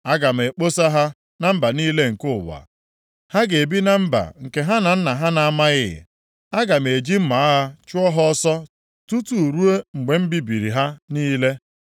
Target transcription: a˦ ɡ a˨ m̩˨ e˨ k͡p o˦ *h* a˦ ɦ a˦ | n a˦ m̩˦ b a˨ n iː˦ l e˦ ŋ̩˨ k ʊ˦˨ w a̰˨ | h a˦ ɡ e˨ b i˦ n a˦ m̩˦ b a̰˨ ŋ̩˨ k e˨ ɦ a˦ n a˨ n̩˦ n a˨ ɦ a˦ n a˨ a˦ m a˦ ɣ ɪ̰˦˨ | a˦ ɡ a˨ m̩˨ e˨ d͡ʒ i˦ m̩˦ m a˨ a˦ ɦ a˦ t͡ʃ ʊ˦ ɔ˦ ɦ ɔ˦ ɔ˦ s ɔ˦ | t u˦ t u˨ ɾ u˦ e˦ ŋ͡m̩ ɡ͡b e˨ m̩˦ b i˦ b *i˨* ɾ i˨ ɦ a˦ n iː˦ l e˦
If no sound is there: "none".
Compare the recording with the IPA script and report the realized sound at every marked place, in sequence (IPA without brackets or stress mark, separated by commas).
s, i˨